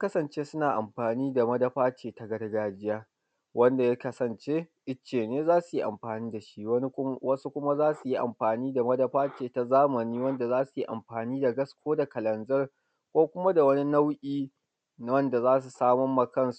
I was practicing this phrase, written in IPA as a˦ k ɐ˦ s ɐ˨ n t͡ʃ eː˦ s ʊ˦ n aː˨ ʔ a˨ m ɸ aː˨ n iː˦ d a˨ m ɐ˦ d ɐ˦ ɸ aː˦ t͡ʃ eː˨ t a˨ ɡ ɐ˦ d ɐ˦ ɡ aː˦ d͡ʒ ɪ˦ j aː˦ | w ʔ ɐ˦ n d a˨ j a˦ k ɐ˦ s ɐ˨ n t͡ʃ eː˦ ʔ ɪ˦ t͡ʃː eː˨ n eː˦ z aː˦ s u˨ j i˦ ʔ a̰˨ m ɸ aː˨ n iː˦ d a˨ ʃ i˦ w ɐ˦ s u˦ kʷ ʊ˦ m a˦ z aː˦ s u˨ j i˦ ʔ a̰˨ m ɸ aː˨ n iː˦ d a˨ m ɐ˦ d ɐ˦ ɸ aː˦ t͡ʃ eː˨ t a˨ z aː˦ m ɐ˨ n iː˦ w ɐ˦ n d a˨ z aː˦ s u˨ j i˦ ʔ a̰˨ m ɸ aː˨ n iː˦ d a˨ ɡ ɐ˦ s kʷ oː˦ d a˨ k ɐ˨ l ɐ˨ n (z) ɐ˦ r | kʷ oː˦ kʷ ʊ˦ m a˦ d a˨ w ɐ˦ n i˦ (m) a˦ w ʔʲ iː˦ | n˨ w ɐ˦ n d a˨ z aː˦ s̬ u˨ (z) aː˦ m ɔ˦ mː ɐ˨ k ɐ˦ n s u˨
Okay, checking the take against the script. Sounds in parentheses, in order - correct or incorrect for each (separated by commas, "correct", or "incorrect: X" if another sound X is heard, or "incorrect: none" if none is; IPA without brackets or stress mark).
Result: correct, incorrect: n, incorrect: s